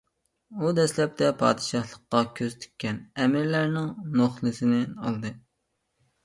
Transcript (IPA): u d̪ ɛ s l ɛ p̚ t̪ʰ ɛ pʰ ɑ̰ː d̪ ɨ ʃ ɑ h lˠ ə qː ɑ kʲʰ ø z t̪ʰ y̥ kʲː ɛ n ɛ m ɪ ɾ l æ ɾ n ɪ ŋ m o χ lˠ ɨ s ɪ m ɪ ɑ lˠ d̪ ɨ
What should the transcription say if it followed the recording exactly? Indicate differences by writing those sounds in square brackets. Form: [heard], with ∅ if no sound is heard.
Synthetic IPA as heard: u d̪ ɛ s l ɛ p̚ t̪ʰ ɛ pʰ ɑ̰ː d̪ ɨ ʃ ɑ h lˠ ə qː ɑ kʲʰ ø z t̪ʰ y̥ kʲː ɛ n ɛ m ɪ ɾ l æ ɾ n ɪ ŋ [n] o χ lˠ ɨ s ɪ [n] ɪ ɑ lˠ d̪ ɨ